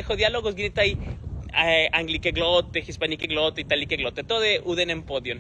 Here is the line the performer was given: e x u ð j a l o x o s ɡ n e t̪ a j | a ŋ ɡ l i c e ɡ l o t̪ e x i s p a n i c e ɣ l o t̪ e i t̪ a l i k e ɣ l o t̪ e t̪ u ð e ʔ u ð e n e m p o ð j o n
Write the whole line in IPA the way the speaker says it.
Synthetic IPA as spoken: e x o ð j a l o ɣ o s ɡ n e t̪ a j | a ŋ ɡ l i k e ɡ l o t̪ e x i s p a n i k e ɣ l o t̪ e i t̪ a l i k e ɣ l o t̪ e t̪ o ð e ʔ u ð e n e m p o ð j o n